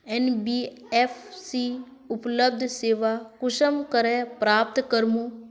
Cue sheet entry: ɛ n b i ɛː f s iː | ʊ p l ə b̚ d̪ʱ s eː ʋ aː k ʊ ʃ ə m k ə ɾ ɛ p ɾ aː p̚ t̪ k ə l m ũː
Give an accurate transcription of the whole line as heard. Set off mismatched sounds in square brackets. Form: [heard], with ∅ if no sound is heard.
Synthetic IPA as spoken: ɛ n b i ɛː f s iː | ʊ p l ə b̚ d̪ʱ s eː ʋ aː k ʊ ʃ ə m k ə ɾ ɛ p ɾ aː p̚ t̪ k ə [ɾ] m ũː